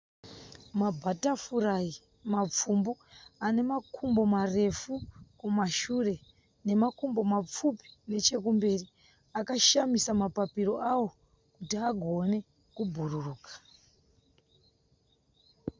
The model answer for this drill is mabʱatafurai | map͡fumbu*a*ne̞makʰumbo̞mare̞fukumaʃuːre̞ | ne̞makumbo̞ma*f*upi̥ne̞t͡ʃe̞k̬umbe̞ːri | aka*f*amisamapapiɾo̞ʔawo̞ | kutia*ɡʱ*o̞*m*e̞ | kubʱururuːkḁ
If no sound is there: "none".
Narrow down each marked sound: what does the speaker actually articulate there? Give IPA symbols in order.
a, p͡f, ʃ, ɡʱ, n

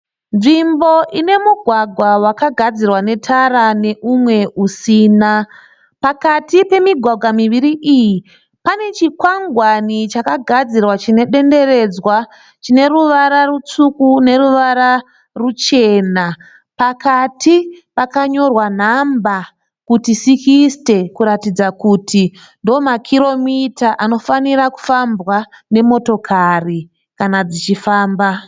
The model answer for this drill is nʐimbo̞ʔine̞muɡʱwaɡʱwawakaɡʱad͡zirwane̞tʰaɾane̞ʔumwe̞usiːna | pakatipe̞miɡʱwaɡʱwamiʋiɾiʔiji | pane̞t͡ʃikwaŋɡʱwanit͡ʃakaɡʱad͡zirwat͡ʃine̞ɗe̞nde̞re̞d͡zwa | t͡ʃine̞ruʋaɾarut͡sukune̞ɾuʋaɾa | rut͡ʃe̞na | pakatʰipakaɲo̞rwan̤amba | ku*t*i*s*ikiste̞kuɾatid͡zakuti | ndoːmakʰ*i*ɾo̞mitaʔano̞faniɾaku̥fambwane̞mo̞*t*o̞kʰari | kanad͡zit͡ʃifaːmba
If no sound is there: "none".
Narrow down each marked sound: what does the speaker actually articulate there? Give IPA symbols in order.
t, s, i, t

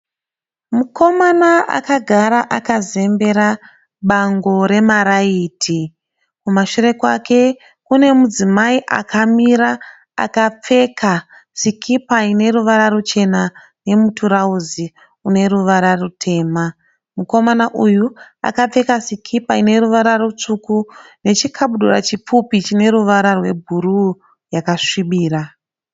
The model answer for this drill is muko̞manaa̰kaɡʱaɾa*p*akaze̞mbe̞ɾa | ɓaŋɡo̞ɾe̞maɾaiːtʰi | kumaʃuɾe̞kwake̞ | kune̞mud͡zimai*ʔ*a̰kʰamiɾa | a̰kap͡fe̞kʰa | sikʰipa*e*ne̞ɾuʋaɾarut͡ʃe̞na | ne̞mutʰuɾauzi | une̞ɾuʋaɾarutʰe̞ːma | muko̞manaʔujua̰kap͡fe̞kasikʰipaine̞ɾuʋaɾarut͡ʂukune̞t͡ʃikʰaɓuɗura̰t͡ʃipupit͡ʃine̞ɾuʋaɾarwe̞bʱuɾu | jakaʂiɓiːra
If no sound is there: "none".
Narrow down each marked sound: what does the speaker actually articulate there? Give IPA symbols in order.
ʔ, ʔ, i

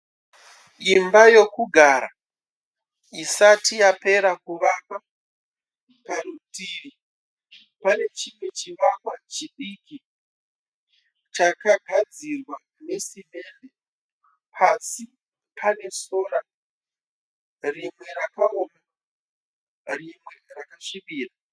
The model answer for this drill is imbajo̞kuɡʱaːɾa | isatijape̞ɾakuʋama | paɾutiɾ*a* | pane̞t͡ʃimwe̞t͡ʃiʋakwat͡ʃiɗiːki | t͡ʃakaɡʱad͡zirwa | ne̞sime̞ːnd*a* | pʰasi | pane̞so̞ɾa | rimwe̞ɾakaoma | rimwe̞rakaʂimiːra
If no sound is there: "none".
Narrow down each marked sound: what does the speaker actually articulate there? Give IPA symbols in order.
i, e

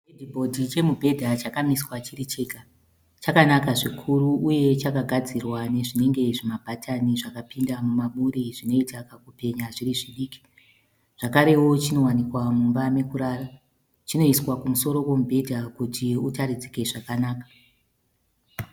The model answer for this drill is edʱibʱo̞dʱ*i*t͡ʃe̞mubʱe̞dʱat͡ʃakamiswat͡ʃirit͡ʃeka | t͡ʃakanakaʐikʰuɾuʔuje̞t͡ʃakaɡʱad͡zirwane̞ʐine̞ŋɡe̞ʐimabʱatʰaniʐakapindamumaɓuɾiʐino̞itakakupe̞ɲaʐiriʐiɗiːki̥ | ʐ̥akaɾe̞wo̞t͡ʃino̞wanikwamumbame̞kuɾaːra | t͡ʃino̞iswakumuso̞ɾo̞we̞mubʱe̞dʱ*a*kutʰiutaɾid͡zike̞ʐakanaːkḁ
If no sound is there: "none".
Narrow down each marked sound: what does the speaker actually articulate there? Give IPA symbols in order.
i, a

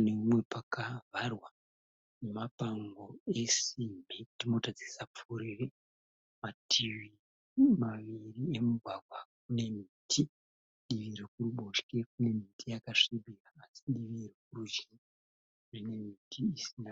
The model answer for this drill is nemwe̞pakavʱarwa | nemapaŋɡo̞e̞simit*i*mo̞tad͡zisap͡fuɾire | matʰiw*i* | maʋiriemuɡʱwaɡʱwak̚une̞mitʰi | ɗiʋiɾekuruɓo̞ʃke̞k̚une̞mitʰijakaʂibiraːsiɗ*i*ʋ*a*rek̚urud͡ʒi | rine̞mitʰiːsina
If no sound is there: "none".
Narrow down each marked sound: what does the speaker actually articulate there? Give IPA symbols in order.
i, i, i, i

